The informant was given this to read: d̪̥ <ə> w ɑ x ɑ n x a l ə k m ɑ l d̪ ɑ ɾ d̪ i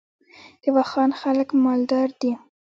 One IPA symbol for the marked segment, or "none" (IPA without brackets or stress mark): ə